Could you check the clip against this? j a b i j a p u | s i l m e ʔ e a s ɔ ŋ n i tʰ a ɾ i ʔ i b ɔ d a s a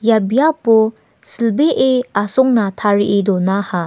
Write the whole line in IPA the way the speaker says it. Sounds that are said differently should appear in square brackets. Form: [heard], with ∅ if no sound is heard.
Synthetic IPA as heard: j a b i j a p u | s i l [b] e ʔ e a s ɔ ŋ n [a] tʰ a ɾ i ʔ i [d] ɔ [n] a [h] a